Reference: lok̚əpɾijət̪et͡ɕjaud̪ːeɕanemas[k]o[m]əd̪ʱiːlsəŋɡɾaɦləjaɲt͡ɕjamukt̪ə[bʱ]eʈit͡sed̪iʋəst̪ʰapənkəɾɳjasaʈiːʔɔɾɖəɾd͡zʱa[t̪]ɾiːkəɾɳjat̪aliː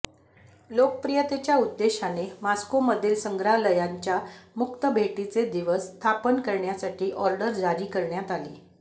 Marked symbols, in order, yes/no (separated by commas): yes, yes, yes, no